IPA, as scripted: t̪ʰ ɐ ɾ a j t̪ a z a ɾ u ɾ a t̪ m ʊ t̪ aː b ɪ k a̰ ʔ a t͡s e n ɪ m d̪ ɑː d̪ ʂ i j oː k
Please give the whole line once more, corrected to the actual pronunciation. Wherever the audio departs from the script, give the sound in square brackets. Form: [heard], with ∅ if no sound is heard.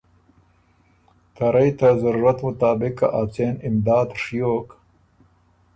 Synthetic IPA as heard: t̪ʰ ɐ ɾ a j t̪ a z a ɾ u ɾ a t̪ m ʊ t̪ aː b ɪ k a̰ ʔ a t͡s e n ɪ m d̪ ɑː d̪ ʂ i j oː k